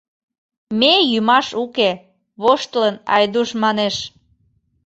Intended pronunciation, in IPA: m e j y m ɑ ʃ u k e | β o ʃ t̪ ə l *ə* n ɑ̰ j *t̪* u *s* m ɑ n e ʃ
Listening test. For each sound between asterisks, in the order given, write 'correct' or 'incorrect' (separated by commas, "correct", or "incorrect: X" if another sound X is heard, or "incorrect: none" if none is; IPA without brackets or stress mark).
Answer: correct, incorrect: d̪, incorrect: ʃ